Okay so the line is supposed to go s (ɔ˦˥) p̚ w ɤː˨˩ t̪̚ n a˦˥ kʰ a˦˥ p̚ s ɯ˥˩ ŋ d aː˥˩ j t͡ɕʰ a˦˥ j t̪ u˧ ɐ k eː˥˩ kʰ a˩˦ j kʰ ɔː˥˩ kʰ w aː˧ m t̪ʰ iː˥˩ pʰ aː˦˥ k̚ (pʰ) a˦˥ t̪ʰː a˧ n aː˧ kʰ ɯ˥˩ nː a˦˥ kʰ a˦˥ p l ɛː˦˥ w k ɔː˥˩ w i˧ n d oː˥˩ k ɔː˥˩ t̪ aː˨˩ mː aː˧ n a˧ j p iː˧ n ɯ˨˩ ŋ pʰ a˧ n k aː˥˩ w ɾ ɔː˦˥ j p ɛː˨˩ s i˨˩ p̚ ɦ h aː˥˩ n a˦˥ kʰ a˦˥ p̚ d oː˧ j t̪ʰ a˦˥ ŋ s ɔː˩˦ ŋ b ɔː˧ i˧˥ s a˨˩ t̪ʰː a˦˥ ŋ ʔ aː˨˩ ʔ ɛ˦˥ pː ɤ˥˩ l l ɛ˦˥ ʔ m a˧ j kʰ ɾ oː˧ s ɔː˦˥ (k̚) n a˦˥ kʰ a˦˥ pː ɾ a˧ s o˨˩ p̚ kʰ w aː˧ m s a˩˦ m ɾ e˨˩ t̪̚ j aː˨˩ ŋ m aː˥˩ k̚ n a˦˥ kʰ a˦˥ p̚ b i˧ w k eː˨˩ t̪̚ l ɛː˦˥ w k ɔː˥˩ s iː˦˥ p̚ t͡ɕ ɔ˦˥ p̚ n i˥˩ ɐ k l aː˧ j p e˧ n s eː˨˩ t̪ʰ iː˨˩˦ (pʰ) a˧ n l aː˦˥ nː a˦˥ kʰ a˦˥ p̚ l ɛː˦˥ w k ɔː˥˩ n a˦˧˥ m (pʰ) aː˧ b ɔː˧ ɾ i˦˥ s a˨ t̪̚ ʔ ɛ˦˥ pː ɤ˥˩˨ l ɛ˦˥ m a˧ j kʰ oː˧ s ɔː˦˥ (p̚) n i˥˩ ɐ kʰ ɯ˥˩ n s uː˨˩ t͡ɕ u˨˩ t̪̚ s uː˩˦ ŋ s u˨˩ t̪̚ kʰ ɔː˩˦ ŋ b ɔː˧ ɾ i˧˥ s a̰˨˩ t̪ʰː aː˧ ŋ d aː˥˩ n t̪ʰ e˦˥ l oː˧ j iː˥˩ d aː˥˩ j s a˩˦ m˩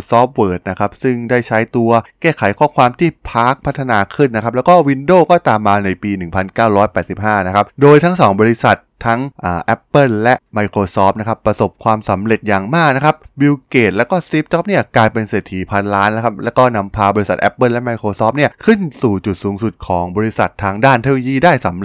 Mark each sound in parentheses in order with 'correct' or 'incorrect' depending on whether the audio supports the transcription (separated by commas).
incorrect, correct, incorrect, correct, correct, correct